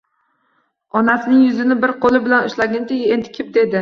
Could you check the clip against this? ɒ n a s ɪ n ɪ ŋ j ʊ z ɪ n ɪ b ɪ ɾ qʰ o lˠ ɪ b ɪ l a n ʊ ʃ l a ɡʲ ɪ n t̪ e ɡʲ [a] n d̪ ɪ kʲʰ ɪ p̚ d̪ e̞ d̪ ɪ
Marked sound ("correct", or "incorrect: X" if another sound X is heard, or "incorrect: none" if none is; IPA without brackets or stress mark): incorrect: e